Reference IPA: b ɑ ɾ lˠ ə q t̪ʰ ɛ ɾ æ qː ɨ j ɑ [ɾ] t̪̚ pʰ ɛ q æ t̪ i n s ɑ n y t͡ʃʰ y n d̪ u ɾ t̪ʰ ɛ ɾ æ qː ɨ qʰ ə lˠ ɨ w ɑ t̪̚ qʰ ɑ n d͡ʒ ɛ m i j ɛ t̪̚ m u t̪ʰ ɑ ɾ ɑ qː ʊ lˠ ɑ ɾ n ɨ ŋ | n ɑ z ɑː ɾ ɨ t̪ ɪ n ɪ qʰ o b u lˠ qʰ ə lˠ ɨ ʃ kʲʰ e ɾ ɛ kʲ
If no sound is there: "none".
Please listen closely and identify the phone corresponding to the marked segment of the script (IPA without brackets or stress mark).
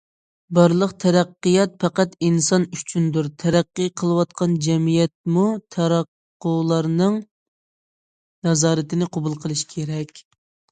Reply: none